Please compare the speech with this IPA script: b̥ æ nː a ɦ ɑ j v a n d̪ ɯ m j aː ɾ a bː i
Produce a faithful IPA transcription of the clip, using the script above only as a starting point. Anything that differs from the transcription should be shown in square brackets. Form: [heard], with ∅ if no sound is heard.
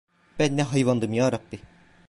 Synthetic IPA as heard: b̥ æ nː [ɛ] ɦ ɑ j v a n d̪ ɯ m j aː ɾ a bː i